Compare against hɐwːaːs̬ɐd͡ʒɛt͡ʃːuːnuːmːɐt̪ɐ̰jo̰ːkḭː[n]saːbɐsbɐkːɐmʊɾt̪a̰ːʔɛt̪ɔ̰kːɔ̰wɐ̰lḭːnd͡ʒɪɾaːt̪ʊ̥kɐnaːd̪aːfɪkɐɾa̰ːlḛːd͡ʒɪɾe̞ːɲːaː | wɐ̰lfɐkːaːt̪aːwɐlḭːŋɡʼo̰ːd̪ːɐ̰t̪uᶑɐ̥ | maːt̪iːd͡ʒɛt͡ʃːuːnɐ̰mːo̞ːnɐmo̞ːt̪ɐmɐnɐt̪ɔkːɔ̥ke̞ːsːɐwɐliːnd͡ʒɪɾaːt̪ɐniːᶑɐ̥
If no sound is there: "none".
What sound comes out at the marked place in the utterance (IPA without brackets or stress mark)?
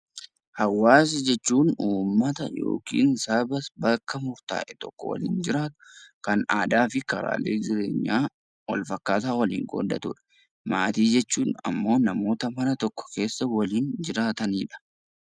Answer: n